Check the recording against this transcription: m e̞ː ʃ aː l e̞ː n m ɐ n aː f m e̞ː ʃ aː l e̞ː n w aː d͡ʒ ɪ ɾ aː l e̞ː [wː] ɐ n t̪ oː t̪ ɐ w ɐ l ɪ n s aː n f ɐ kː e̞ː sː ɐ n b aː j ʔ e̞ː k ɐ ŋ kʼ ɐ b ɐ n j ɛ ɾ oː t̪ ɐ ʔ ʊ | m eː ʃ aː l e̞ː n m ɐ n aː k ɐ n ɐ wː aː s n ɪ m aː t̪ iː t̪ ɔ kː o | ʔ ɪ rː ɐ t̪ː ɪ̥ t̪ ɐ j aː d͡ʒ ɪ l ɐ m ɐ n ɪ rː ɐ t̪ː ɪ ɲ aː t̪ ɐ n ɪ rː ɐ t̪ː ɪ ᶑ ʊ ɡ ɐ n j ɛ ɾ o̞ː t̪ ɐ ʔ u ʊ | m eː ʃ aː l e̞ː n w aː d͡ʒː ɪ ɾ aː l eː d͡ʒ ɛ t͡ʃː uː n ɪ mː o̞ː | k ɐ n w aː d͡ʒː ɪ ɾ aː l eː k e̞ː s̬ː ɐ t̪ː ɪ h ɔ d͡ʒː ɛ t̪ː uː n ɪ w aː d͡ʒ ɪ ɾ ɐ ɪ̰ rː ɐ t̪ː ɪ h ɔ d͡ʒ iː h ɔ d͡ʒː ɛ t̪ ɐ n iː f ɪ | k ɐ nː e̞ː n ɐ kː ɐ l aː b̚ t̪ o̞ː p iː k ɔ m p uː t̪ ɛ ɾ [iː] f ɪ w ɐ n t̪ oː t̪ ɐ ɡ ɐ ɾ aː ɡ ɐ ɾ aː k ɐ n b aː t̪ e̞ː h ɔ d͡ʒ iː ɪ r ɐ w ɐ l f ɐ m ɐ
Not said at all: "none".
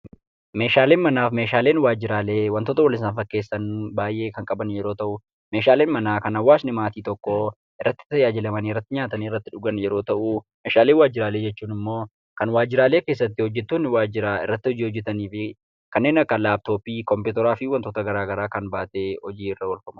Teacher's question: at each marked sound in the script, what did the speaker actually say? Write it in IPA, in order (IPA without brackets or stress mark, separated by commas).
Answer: w, aː